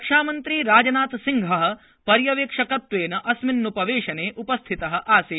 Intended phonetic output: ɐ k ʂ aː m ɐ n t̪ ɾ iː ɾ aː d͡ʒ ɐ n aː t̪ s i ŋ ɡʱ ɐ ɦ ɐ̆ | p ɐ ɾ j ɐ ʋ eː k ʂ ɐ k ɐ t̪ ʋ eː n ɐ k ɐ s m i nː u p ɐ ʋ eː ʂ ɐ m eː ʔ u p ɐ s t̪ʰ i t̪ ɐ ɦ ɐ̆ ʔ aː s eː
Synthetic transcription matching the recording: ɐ k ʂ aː m ɐ n t̪ ɾ iː ɾ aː d͡ʒ ɐ n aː t̪ s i ŋ ɡʱ ɐ ɦ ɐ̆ | p ɐ ɾ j ɐ ʋ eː k ʂ ɐ k ɐ t̪ ʋ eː n ɐ ʔ ɐ s m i nː u p ɐ ʋ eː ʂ ɐ n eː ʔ u p ɐ s t̪ʰ i t̪ ɐ ɦ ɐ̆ ʔ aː s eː